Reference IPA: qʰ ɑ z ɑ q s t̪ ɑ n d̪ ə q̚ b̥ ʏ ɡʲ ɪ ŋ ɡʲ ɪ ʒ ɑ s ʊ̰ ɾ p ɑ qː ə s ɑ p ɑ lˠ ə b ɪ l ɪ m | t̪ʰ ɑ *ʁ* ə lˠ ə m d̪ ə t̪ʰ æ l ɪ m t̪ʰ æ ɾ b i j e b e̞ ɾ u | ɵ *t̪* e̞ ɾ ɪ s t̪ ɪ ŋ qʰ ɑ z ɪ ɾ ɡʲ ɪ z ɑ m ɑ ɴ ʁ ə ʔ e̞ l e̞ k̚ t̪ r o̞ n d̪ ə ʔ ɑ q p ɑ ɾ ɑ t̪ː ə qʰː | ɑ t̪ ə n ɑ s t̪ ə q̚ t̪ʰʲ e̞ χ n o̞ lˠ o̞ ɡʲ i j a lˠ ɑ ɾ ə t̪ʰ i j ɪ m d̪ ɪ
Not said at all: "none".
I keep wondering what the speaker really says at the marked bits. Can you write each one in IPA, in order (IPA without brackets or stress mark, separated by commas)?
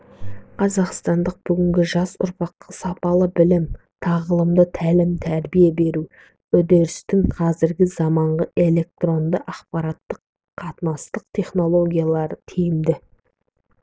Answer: ʁ, d̪